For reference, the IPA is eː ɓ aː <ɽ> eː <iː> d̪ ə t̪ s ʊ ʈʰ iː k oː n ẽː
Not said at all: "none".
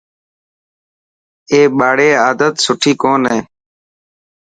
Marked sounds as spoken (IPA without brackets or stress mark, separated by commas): ɽ, aː